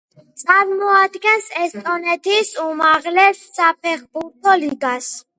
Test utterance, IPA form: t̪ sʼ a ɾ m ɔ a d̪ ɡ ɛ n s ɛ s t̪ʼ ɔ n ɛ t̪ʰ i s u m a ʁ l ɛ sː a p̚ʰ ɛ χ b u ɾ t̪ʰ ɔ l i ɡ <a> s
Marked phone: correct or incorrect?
correct